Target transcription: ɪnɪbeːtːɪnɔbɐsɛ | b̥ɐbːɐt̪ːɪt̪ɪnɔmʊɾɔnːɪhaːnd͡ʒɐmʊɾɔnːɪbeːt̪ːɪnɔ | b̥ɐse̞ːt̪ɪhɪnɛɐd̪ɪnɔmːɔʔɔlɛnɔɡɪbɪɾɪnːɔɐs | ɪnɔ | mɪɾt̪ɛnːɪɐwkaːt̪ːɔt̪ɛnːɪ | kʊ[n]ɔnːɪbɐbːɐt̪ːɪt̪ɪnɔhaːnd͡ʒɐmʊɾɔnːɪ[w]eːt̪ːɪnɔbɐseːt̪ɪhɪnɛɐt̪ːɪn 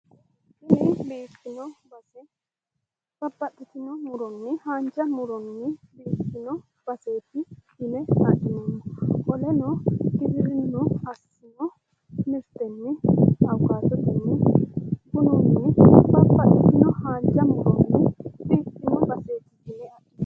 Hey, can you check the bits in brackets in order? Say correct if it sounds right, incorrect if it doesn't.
correct, incorrect: b

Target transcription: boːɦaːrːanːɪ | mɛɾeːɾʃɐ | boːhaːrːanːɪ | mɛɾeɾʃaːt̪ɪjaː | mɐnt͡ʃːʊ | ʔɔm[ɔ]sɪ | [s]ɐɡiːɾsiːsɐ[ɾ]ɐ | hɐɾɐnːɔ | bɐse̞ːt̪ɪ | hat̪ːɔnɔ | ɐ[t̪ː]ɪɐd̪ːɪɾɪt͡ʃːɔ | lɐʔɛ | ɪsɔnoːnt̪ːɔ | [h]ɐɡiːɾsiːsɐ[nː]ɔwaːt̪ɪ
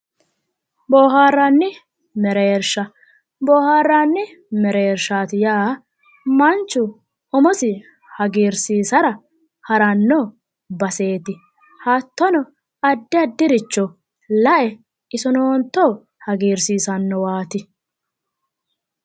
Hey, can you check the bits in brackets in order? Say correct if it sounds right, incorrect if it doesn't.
correct, incorrect: h, correct, incorrect: d̪ː, correct, correct

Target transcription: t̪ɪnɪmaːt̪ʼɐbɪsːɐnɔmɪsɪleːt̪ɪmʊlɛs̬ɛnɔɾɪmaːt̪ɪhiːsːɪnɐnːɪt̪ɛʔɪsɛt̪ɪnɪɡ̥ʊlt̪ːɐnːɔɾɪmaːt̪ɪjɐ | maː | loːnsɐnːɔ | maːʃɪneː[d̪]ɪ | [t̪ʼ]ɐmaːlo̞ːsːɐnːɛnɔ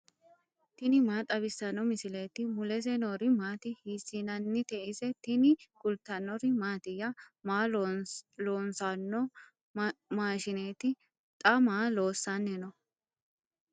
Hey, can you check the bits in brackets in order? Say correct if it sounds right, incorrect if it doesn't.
incorrect: t̪, correct

